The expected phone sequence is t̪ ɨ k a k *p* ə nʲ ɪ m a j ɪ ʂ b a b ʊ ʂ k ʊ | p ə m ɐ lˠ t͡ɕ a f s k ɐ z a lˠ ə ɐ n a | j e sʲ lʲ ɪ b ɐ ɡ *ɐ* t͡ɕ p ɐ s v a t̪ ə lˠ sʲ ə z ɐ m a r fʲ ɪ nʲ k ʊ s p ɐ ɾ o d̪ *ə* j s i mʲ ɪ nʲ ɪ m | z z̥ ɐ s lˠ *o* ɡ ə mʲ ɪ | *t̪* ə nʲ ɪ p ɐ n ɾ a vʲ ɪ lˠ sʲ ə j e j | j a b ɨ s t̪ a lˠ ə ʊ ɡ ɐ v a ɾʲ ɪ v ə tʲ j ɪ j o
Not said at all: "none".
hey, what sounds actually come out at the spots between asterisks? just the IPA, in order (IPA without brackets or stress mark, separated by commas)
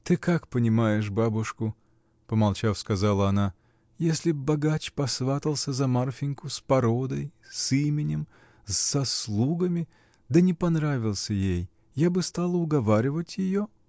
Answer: p, a, ə, u, d̪